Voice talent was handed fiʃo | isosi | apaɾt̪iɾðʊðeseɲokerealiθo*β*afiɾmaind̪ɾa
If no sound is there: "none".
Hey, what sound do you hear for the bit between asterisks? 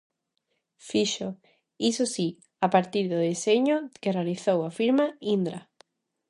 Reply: w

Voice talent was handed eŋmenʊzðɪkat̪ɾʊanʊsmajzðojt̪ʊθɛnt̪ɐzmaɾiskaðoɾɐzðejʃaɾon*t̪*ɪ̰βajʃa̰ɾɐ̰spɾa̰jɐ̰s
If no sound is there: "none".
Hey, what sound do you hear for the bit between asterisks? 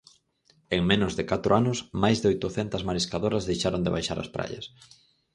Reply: d̪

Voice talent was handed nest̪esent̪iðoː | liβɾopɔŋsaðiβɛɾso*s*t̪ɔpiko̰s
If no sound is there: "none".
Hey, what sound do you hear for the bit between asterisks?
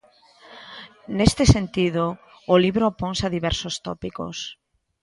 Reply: s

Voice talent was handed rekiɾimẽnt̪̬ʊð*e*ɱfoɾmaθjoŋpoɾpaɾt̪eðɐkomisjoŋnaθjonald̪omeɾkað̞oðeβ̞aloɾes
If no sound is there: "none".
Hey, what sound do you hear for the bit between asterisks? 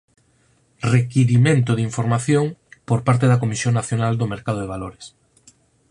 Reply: i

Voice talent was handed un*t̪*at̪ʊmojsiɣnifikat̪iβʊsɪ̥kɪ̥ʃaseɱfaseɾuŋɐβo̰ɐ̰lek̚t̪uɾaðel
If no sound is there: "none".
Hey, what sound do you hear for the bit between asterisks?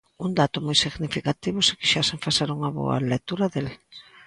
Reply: d̪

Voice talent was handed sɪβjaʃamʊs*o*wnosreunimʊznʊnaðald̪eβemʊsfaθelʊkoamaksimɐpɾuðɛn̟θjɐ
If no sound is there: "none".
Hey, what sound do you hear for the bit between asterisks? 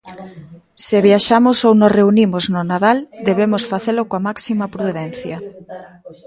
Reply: o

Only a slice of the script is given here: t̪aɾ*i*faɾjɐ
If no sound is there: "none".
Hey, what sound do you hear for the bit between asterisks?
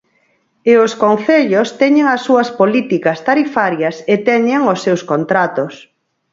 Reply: i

